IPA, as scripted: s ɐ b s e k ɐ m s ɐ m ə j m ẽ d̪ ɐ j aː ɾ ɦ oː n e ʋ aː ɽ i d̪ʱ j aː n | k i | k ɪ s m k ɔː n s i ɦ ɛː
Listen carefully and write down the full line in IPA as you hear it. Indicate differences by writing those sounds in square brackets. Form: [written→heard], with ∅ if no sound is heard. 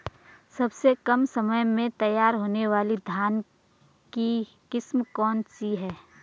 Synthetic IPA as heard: s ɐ b s e k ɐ m s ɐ m ə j m ẽ [d̪→t̪] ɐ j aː ɾ ɦ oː n e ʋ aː [ɽ→l] i d̪ʱ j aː n | k i | k ɪ s m k ɔː n s i ɦ ɛː